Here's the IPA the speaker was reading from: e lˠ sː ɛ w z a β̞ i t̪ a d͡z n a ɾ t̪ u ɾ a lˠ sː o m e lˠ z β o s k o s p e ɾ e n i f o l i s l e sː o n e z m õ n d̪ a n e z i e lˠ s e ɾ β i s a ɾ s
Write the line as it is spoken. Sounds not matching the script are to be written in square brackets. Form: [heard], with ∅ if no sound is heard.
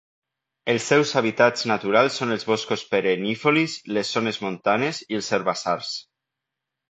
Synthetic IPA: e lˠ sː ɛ w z a β̞ i t̪ a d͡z n a [∅] t̪ u ɾ a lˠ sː o [n] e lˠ z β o s k o s p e ɾ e n i f o l i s l e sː o n e z m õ n [t̪] a n e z i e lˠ s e ɾ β [a] s a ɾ s

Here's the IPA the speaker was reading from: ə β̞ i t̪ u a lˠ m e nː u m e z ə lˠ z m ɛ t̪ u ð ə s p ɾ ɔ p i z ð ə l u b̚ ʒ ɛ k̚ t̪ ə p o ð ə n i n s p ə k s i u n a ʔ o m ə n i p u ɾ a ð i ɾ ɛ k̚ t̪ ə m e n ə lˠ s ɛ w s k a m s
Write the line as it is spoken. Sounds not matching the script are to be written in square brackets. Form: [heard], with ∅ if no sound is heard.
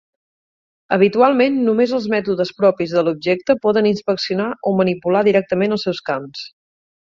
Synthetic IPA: ə β̞ i t̪ u a lˠ m e nː u m e z ə lˠ z m ɛ t̪ u ð ə s p ɾ ɔ p i z ð ə l u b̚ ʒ ɛ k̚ t̪ ə p [ɔ] ð ə n i n s p ə k s i u n a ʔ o m ə n i p u [l] a ð i ɾ ɛ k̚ t̪ ə m e n ə lˠ s ɛ w s k a m s

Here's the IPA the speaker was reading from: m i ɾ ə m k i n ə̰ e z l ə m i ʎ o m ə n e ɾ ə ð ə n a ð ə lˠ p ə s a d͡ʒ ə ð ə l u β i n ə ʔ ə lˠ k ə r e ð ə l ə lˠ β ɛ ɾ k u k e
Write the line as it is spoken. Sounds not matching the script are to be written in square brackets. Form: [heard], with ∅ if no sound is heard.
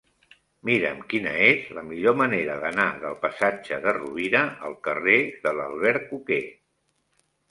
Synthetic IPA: m i ɾ ə m k i n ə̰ e z l ə m i ʎ o m ə n e ɾ ə ð ə n a ð ə lˠ p ə s a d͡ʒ ə ð ə [r] u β i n ə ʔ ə lˠ k ə r e ð ə l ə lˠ β ɛ ɾ k u k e

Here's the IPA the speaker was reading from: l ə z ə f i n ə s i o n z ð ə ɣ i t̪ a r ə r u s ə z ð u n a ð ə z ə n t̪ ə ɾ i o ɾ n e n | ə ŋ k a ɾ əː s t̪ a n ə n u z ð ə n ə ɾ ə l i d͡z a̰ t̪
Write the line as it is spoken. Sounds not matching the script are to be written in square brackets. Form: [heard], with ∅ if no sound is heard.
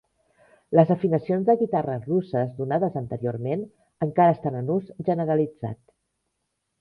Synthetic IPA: l ə z ə f i n ə s i o n z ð ə ɣ i t̪ a r ə r u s ə z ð u n a ð ə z ə n t̪ ə ɾ i o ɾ [m] e n | ə ŋ k a ɾ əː s t̪ a n ə n u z [ʒ] ə n ə ɾ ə l i d͡z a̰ t̪

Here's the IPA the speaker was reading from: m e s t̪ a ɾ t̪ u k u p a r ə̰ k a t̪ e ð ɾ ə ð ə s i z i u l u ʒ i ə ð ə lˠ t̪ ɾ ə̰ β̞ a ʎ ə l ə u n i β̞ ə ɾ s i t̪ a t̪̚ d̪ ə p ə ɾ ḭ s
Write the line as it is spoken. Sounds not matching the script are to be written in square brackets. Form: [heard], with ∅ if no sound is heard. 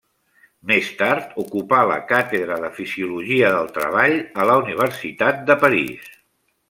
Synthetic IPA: m e s t̪ a ɾ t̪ u k u p a [l] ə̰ k a t̪ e ð ɾ ə ð ə [f] i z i u l u ʒ i ə ð ə lˠ t̪ ɾ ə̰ β̞ a ʎ ə l ə u n i β̞ ə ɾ s i t̪ a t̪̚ d̪ ə p ə ɾ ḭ s

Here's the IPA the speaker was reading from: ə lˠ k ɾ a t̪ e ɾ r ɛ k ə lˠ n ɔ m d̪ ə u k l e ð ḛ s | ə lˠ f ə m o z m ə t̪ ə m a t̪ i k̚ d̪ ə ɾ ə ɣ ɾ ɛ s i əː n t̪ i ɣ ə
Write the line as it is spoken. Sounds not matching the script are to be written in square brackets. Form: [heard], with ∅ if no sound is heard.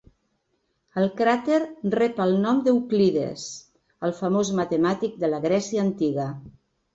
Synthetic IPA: ə lˠ k ɾ a t̪ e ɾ r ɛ [p] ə lˠ n ɔ m d̪ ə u k l [i] ð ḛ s | ə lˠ f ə m o z m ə t̪ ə m a t̪ i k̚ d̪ ə [l] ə ɣ ɾ ɛ s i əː n t̪ i ɣ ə

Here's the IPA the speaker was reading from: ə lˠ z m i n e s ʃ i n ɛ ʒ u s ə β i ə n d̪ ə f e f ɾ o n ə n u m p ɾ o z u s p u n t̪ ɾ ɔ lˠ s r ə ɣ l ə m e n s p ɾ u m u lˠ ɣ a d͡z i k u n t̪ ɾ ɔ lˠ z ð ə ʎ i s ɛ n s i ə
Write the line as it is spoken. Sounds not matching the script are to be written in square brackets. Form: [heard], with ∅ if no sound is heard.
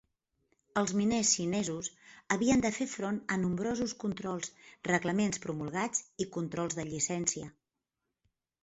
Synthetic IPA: ə lˠ z m i n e s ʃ i n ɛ [z] u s ə β i ə n d̪ ə f e f ɾ o n ə n u m [b] ɾ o z u s [k] u n t̪ ɾ ɔ lˠ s r ə ɣ l ə m e n s p ɾ u m u lˠ ɣ a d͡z i k u n t̪ ɾ ɔ lˠ z ð ə ʎ i s ɛ n s i ə

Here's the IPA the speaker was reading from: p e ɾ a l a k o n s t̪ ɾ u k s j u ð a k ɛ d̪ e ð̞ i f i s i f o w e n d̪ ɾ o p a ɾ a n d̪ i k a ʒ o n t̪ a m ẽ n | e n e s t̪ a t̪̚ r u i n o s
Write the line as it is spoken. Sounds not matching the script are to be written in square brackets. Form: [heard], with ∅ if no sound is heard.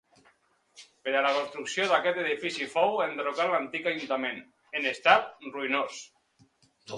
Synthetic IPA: p e ɾ a l a k o n s t̪ ɾ u k s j [o] ð a k ɛ [t̪] e ð̞ i f i s i f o w e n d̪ ɾ o [k] a [l] a n [t̪] i k a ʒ [u] n t̪ a m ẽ n | e n e s t̪ a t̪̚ r u i n o s

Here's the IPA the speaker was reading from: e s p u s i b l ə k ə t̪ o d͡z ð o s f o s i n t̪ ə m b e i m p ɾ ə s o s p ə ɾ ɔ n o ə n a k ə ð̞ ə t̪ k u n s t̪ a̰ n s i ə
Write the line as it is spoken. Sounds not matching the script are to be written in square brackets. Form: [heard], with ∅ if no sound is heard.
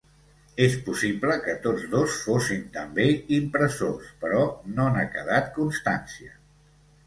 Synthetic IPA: e s p u s i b l ə k ə t̪ o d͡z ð o s f o s i n t̪ ə m b e i m p ɾ ə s o s p ə ɾ ɔ n o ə n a k ə ð̞ [a] t̪ k u n s t̪ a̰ n s i ə

